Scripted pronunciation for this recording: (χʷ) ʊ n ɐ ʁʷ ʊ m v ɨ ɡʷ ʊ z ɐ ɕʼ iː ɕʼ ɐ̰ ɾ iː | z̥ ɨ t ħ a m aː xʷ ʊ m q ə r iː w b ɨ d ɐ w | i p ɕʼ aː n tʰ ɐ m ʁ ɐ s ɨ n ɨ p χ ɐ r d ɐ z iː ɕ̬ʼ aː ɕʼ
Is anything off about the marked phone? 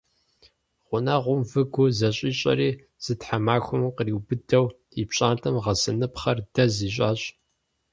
yes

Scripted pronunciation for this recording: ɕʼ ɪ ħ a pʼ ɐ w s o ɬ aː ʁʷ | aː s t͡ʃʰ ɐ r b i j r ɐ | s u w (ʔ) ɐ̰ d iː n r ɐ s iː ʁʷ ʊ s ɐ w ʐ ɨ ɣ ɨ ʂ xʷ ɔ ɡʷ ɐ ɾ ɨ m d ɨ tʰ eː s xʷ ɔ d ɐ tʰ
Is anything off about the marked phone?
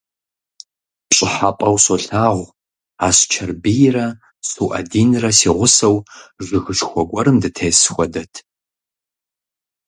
no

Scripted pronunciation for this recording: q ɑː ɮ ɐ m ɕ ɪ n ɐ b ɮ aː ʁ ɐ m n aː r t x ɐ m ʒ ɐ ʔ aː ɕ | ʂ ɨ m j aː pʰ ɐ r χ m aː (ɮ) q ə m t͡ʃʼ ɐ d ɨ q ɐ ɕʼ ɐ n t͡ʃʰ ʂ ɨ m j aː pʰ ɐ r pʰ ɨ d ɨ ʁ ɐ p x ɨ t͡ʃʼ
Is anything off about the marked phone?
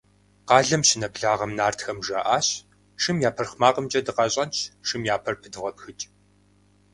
yes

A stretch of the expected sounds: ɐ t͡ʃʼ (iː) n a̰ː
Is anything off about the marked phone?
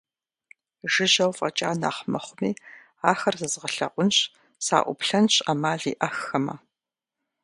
yes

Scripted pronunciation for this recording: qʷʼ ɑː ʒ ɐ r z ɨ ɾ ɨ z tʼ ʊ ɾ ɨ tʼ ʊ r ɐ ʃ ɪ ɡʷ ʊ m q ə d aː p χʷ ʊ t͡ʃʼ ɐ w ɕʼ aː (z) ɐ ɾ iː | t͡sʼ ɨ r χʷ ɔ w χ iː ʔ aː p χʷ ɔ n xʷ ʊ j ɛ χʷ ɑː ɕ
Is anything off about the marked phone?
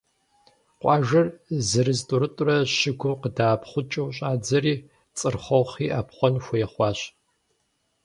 yes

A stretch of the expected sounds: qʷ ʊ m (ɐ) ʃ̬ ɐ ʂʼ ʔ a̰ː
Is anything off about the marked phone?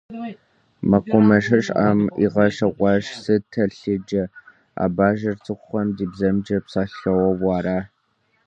no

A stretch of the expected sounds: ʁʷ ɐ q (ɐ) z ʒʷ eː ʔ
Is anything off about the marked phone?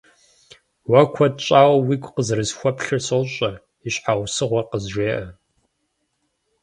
yes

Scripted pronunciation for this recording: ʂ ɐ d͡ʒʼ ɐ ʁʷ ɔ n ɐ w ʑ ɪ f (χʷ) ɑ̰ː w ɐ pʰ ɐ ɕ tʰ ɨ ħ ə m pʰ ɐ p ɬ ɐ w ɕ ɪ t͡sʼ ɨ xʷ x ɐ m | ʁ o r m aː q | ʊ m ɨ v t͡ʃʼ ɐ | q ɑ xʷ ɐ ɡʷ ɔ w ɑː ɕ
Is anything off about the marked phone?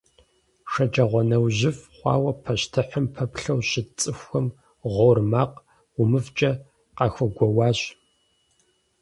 no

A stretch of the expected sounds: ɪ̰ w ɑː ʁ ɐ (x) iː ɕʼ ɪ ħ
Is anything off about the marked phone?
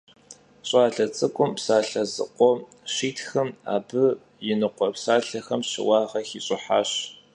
no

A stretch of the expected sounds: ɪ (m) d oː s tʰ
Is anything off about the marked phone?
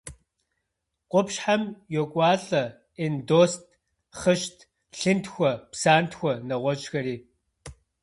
yes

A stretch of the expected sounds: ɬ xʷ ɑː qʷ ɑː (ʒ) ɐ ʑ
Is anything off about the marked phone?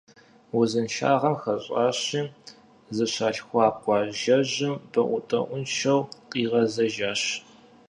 no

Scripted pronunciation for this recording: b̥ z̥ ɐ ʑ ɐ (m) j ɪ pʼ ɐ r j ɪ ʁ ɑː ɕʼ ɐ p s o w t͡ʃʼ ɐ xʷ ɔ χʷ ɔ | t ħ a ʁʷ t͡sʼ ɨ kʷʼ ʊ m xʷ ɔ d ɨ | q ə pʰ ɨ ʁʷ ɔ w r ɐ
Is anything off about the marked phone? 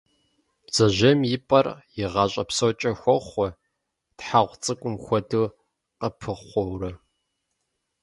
no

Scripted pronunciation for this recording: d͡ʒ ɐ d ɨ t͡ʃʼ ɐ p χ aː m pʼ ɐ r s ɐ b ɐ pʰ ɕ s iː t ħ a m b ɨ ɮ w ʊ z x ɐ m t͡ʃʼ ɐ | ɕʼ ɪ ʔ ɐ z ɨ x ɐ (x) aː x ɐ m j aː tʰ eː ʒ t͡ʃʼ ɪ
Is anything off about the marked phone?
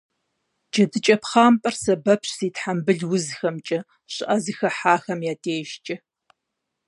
yes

